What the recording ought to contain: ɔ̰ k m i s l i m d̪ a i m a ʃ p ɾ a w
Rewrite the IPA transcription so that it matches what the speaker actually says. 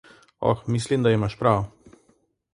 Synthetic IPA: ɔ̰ x m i s l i m d̪ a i m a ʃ p ɾ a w